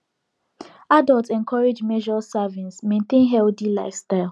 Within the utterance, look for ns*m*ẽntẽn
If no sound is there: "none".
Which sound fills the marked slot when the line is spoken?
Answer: m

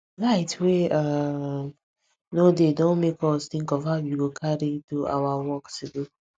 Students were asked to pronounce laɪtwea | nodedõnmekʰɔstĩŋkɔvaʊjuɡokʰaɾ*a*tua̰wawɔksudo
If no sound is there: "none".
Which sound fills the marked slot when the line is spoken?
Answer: i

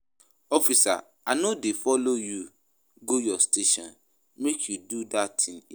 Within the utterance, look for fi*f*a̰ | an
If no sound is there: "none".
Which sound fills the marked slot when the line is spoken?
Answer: s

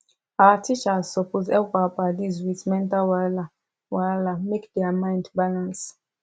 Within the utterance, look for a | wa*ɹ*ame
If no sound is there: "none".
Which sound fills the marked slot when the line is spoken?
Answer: l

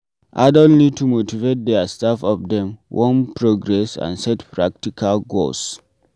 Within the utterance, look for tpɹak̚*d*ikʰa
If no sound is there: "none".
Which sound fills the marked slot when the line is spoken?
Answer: t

